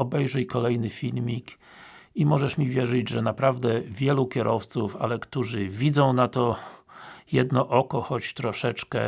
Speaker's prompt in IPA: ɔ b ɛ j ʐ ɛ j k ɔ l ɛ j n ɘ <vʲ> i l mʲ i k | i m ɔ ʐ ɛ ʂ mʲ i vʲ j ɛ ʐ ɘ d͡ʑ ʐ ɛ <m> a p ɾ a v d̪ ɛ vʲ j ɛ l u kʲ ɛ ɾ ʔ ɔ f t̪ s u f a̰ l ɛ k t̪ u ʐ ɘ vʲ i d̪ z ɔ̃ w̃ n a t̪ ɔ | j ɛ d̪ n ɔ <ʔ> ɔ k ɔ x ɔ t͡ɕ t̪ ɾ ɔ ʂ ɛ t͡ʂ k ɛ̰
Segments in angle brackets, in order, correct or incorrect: incorrect, incorrect, correct

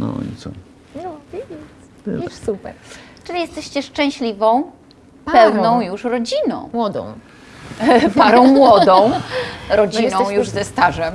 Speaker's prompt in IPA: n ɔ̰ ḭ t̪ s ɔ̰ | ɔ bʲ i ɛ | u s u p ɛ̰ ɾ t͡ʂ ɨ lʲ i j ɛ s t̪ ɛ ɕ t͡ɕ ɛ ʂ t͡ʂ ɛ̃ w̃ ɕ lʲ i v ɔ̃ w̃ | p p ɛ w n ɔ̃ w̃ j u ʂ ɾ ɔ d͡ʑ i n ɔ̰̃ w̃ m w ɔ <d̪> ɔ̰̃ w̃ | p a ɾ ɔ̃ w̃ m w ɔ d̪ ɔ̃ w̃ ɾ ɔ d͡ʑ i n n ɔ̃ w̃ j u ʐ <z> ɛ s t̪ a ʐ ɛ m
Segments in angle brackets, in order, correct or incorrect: correct, correct

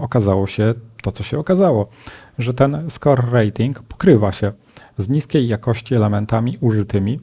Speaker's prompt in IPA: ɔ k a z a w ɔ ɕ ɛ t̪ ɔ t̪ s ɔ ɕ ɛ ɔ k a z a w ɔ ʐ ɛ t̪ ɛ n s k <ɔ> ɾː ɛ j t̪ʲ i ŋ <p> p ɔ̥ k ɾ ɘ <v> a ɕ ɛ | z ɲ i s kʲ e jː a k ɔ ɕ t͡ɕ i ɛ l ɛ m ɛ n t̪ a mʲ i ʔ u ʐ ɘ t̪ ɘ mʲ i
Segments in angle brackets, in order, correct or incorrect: correct, incorrect, correct

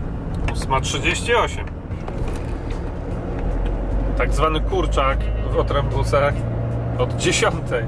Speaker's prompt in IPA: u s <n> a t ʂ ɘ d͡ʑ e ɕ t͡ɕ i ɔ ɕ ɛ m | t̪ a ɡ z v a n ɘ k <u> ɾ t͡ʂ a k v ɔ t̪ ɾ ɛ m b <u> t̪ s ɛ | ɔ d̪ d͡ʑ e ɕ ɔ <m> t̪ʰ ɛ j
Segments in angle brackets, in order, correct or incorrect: incorrect, correct, correct, incorrect

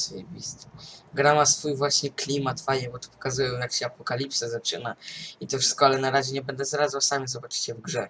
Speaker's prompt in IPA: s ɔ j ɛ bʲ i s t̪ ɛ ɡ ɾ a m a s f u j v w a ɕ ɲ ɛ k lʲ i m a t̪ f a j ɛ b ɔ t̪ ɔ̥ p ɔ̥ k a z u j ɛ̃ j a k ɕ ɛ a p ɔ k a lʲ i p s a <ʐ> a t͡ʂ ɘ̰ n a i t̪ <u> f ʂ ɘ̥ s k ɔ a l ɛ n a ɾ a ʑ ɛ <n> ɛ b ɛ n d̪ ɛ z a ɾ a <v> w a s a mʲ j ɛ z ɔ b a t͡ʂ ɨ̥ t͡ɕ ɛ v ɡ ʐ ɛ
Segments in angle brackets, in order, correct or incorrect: incorrect, incorrect, incorrect, incorrect

